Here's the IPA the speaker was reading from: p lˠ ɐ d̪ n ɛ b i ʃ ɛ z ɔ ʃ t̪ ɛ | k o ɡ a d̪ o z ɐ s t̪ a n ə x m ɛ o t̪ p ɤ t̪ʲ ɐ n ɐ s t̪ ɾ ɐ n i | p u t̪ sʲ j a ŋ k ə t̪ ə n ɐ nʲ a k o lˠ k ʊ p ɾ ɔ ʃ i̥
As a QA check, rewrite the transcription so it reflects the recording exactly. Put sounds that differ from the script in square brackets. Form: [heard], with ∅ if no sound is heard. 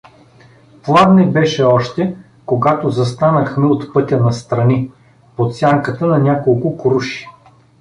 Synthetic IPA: p lˠ [a] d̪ n ɛ b [ɛ] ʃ ɛ [∅] ɔ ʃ t̪ ɛ | k o ɡ a [t̪] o z ɐ s t̪ a n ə x m ɛ o t̪ p ɤ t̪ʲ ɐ n ɐ s t̪ ɾ ɐ n i | p [o] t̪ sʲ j a ŋ k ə t̪ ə n ɐ nʲ a k o lˠ k ʊ [k] ɾ [u] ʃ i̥